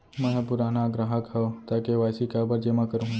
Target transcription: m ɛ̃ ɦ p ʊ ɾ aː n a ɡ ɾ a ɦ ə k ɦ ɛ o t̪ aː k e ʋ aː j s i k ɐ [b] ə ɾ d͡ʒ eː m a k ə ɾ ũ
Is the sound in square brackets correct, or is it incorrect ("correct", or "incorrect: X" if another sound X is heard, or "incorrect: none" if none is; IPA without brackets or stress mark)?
correct